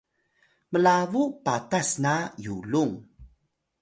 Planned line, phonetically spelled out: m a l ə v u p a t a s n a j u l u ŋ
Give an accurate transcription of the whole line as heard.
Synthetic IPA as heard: m ə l a v u p a t a s n a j u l u ŋ